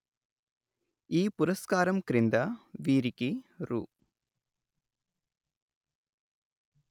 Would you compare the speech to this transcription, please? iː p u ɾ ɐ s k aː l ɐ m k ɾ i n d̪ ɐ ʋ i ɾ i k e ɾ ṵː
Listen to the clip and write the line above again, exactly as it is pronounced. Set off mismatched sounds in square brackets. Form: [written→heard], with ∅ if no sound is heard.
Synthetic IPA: iː p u ɾ ɐ s k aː [l→ɾ] ɐ m k ɾ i n d̪ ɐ ʋ [i→iː] ɾ i k [e→i] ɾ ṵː